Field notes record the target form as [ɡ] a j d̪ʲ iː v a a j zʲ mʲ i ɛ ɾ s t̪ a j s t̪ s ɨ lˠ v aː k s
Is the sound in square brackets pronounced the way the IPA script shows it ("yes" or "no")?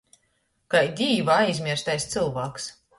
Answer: no